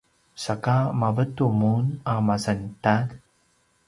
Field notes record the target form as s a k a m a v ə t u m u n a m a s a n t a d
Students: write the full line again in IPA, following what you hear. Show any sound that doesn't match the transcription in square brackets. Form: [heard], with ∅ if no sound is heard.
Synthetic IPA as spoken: s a k a m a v ə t u m u n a m a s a n t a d